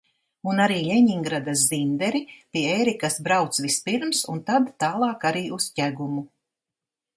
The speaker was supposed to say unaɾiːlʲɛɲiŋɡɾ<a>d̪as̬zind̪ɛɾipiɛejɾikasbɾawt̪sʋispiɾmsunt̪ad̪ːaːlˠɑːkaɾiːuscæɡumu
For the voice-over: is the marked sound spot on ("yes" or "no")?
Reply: yes